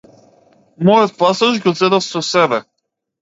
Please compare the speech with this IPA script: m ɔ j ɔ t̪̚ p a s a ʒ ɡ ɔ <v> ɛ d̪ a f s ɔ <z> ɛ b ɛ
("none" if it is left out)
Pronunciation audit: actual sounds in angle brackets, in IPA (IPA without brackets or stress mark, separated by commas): z, s